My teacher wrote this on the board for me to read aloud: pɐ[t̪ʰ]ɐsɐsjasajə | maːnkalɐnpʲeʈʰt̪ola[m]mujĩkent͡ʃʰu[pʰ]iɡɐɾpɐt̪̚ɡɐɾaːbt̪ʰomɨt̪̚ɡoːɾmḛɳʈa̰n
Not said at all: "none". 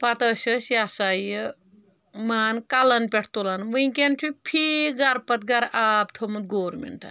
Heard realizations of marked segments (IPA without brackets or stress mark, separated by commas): t̪, n, pʰ